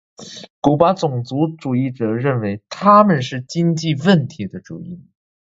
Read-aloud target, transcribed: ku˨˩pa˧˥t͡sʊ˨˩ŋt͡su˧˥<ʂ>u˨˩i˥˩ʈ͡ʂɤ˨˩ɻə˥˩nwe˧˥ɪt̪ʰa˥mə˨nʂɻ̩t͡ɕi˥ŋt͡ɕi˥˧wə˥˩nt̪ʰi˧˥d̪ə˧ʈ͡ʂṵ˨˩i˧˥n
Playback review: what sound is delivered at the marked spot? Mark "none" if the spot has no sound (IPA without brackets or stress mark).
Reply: ʈ͡ʂ